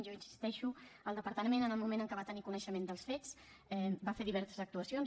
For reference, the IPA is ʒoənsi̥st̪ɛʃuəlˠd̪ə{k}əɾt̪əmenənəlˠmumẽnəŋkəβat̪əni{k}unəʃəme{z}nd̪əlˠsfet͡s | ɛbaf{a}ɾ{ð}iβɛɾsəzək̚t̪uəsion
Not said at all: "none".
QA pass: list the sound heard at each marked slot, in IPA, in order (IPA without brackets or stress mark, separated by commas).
p, k, none, e, ð